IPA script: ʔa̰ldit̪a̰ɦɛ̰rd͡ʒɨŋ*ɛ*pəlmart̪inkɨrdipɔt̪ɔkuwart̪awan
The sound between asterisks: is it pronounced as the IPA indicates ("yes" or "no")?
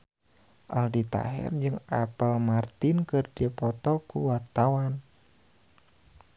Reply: no